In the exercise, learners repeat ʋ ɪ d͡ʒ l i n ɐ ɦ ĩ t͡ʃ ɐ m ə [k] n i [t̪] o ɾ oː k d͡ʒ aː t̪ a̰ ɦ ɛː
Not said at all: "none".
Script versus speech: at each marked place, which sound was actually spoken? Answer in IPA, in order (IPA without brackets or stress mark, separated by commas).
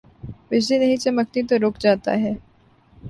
k, t̪